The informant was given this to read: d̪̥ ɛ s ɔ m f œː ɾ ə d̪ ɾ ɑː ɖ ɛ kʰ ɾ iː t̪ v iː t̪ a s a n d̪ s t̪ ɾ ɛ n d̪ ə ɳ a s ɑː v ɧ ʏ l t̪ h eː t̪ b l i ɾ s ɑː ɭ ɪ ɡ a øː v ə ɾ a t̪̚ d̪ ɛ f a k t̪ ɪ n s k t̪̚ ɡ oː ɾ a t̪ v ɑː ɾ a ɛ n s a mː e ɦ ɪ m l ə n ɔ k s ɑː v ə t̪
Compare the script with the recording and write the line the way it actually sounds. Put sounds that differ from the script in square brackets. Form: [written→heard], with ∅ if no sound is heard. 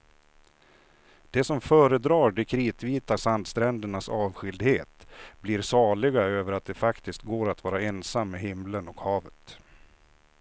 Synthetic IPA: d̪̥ ɛ s ɔ m f œː ɾ ə d̪ ɾ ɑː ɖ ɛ kʰ ɾ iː t̪ v iː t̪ a s a n d̪ s t̪ ɾ ɛ n d̪ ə ɳ a s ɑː v ɧ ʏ l [t̪→d̪] h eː t̪ b l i ɾ s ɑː ɭ ɪ ɡ a øː v ə ɾ a t̪̚ d̪ ɛ f a k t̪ ɪ [n→∅] s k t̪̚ ɡ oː ɾ a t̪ v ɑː ɾ a ɛ n s a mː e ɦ ɪ m l ə n ɔ k [s→h] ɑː v ə t̪